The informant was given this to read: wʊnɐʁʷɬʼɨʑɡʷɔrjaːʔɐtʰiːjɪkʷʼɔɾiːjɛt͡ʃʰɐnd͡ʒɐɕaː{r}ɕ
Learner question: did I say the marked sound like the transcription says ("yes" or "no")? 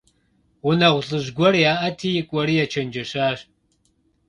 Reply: no